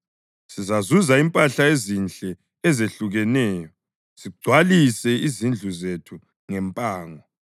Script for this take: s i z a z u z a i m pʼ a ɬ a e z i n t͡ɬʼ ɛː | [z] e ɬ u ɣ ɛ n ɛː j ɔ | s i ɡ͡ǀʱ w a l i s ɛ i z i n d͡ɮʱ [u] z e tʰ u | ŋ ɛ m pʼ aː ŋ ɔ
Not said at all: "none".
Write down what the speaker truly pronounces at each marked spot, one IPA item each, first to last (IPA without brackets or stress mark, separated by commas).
z, u